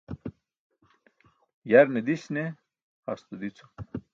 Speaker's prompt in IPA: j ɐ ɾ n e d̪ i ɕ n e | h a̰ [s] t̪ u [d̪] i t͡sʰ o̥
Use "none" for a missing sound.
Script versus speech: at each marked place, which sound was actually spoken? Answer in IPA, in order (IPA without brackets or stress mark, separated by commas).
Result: s, d̪